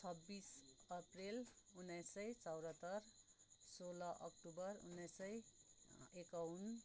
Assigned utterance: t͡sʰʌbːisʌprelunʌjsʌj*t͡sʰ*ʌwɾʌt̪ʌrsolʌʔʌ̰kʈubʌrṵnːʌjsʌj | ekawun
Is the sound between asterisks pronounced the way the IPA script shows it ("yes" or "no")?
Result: no